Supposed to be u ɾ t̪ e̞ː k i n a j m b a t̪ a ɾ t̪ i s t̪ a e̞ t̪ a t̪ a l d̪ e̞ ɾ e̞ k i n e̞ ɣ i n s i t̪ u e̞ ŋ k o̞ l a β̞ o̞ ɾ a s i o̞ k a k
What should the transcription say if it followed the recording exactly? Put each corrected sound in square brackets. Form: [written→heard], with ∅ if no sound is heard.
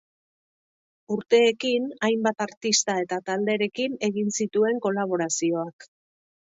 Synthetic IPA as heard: u ɾ t̪ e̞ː k i n a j m b a t̪ a ɾ t̪ i s t̪ a e̞ t̪ a t̪ a l d̪ e̞ ɾ e̞ k i n e̞ ɣ i n s i t̪ u e̞ ŋ k o̞ l a β̞ o̞ ɾ a s i o̞ [k→∅] a k